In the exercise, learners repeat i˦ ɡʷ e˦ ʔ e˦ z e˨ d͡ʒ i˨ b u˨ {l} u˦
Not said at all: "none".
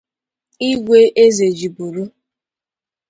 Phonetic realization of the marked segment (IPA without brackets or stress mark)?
ɾ